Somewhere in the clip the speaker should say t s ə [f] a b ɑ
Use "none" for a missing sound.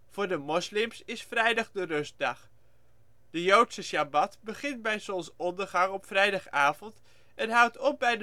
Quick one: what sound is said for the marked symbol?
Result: ʃ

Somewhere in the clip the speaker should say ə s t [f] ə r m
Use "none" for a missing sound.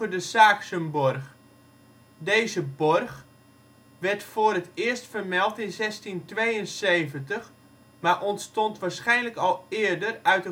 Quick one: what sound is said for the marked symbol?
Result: f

